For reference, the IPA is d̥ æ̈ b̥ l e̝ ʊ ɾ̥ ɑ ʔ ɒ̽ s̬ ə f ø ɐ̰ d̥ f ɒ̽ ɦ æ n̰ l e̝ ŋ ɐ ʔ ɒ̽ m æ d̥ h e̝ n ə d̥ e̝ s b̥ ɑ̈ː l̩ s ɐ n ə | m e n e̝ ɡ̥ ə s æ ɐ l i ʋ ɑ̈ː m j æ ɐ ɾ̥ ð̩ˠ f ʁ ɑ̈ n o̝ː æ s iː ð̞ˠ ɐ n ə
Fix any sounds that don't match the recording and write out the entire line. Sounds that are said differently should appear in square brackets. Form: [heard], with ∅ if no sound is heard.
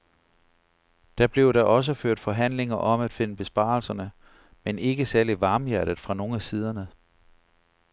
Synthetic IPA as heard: d̥ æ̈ b̥ l e̝ ʊ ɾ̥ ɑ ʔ ɒ̽ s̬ ə f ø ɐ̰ d̥ f ɒ̽ ɦ æ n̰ l e̝ ŋ ɐ ʔ ɒ̽ m æ d̥ [f] e̝ n ə [b̥] e̝ s b̥ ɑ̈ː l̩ s ɐ n ə | m e n e̝ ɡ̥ ə s æ ɐ l i ʋ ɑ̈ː m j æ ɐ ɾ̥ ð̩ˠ f ʁ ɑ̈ n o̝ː æ s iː ð̞ˠ ɐ n ə